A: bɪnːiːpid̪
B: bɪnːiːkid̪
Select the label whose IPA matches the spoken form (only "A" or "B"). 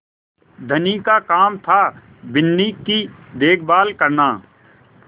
B